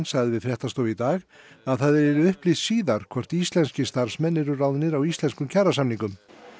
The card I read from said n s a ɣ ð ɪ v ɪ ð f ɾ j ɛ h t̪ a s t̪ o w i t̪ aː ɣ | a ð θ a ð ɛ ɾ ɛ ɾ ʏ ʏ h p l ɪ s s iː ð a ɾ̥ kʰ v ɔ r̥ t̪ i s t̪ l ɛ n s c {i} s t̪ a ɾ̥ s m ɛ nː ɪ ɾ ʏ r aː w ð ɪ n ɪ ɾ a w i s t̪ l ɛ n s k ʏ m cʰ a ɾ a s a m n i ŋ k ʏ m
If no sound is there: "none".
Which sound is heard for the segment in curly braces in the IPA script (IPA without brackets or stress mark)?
ɪ